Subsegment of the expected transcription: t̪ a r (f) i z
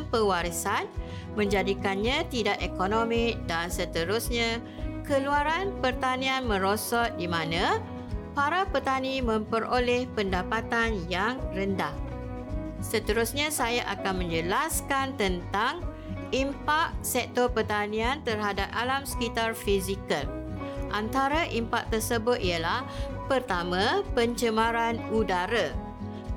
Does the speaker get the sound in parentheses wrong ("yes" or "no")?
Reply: no